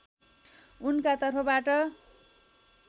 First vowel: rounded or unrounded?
rounded